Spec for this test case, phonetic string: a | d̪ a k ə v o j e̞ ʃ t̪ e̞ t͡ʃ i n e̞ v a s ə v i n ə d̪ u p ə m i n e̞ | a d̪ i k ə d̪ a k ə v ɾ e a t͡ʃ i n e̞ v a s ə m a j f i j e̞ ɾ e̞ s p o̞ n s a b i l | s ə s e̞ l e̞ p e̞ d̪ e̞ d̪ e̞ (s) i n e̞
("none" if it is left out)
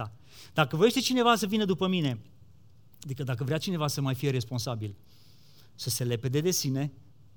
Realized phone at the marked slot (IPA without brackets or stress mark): s